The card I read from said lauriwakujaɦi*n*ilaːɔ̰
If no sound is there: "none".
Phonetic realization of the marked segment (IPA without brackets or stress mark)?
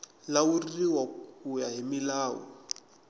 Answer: m